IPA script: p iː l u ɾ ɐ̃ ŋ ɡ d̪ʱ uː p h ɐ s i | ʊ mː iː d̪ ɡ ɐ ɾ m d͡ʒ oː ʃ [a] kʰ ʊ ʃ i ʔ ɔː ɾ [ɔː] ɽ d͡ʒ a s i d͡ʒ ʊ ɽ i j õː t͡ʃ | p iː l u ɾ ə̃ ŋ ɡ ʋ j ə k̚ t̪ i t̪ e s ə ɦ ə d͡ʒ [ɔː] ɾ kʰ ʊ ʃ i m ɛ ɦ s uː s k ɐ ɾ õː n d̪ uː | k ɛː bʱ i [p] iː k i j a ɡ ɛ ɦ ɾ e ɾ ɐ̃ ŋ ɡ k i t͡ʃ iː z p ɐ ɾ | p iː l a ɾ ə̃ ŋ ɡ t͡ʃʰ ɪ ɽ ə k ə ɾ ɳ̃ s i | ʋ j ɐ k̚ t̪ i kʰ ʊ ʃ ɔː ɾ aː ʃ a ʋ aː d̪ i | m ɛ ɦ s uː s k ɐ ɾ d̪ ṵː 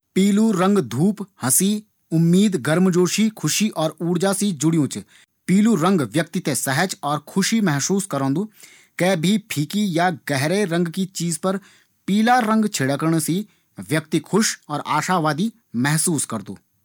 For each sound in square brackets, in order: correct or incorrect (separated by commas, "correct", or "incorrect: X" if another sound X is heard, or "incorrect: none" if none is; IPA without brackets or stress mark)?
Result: incorrect: i, incorrect: uː, correct, incorrect: pʰ